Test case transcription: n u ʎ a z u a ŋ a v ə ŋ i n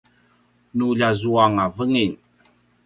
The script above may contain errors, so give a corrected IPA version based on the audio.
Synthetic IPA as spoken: n u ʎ a z u a ŋ a v ə ŋ i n